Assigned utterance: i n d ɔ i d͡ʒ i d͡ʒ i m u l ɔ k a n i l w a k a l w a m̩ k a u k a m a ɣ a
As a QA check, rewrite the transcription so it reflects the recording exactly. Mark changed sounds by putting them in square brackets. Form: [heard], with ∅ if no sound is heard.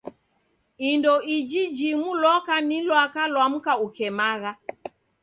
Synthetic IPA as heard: i n d ɔ i d͡ʒ i d͡ʒ i m u l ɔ k a n i l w a k a l w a m̩ k a u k [ɛ] m a ɣ a